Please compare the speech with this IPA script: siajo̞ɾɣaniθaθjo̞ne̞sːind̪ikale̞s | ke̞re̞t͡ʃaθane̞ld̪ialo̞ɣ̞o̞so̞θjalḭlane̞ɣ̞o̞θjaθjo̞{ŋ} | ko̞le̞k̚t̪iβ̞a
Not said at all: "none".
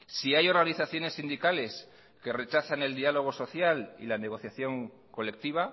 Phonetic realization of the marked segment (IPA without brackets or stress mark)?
ŋ